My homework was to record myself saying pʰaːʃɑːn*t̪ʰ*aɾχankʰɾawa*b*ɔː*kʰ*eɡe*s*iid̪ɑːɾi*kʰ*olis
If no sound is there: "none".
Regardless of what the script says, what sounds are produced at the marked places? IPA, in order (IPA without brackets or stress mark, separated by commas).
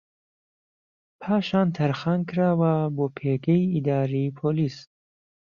t̪ʰ, b, pʰ, none, pʰ